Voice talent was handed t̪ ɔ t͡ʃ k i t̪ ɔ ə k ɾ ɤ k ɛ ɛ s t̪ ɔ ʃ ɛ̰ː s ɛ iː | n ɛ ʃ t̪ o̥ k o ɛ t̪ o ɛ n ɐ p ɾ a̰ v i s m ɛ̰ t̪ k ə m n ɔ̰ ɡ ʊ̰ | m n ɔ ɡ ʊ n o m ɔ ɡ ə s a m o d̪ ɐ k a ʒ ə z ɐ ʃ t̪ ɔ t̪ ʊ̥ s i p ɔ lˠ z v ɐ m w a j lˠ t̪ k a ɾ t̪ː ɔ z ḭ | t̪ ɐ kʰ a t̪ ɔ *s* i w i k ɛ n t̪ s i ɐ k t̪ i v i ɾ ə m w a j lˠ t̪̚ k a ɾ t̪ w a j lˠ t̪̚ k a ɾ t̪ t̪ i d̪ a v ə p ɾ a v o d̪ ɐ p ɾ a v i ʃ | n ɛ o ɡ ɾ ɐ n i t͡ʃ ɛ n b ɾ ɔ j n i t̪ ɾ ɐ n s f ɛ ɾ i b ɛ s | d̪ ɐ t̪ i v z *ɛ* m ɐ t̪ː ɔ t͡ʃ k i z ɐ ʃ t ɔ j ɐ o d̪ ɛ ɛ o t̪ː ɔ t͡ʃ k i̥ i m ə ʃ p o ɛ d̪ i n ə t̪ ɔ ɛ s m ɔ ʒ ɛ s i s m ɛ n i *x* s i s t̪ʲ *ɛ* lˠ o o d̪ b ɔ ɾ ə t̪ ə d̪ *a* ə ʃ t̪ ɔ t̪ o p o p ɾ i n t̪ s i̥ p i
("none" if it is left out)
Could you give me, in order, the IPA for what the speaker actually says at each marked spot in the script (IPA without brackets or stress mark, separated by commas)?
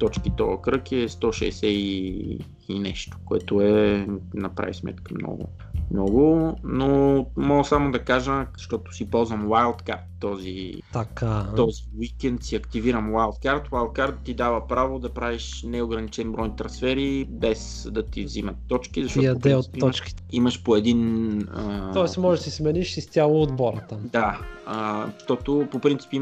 z, i, ʃ, a, a